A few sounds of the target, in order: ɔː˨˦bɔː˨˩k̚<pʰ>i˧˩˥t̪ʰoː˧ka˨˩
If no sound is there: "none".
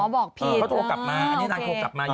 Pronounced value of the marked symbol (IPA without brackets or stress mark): pʰ